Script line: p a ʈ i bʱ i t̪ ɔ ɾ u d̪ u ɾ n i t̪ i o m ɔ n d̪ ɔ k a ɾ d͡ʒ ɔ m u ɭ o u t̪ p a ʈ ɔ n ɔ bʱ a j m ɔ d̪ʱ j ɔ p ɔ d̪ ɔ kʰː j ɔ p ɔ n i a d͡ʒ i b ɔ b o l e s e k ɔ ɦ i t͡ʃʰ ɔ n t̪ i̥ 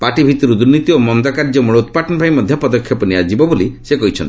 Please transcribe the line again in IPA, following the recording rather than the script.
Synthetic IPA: p a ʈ i bʱ i t̪ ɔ ɾ u d̪ u ɾ n i t̪ i o m ɔ n d̪ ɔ k a ɾ d͡ʒ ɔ m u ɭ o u t̪ p a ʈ ɔ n ɔ bʱ a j m ɔ d̪ʱ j ɔ p ɔ d̪ ɔ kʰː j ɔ p ɔ n i a d͡ʒ i b ɔ b o l i s e k ɔ ɦ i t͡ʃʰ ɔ n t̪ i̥